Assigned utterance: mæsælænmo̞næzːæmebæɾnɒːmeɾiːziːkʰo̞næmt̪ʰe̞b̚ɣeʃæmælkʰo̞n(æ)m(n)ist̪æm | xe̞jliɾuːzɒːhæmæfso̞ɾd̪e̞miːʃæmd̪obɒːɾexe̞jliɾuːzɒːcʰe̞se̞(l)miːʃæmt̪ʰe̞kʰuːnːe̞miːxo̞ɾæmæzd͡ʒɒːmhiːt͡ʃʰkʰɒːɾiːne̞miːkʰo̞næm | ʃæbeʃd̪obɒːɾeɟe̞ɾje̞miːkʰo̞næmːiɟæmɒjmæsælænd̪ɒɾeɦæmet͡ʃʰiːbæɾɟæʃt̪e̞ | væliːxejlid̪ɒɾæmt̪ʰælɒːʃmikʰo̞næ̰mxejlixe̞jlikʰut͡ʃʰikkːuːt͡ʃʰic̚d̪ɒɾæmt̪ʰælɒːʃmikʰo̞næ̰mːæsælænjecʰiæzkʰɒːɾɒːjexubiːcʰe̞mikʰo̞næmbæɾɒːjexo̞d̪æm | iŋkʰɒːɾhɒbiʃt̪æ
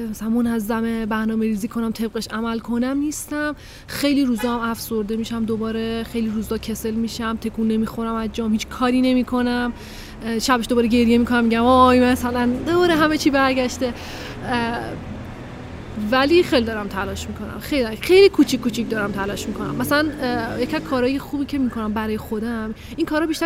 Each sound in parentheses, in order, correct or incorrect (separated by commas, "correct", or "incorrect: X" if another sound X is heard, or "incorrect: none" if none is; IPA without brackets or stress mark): correct, correct, correct